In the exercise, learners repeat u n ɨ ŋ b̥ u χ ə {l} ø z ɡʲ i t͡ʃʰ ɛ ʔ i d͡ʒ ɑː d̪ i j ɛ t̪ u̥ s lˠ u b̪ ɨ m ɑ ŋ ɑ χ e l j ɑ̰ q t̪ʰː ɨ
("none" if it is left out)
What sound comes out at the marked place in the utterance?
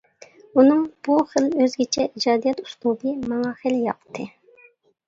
l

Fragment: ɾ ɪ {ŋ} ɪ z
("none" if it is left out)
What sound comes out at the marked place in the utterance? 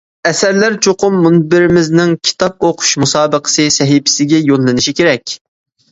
m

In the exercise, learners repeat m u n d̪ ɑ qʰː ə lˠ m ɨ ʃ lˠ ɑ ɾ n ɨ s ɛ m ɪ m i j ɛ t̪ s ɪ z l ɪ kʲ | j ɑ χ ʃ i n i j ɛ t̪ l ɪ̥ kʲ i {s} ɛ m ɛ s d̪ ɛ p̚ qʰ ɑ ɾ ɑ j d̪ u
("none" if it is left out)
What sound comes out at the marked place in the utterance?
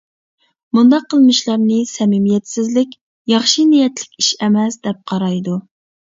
ʃ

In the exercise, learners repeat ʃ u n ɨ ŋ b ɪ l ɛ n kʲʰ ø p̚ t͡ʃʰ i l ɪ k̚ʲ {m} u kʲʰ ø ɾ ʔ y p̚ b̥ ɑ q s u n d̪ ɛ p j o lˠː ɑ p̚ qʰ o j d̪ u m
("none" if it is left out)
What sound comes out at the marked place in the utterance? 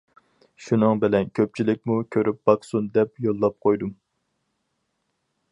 m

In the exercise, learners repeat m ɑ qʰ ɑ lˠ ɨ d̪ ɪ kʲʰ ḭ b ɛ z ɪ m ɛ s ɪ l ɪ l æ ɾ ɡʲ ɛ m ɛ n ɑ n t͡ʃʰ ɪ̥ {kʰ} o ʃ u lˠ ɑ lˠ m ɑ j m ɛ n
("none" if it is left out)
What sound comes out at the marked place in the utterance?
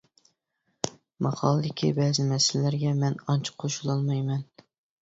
qʰ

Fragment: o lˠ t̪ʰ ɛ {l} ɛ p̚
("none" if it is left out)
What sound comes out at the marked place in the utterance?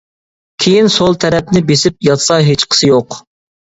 ɾ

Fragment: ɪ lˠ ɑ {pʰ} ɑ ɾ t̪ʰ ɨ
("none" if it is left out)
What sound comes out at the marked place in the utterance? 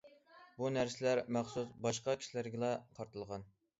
qʰ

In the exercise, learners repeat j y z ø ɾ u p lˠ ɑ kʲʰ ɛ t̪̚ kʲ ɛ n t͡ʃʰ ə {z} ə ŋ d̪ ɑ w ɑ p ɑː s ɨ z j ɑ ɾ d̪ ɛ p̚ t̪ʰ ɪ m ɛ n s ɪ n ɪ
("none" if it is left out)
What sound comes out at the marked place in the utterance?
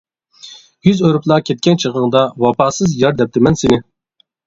ʁ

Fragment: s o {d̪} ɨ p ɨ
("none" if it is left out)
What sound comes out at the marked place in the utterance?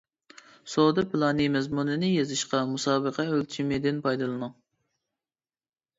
d̪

